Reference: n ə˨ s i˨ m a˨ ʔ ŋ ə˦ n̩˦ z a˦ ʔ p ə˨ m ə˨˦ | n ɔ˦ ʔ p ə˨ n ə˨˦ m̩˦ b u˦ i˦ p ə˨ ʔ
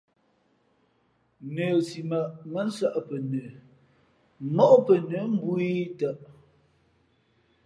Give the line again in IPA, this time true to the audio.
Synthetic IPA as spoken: n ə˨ s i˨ m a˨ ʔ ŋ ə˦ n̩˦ s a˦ ʔ p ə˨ n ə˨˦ | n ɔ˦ ʔ p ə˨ n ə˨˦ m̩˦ b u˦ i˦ t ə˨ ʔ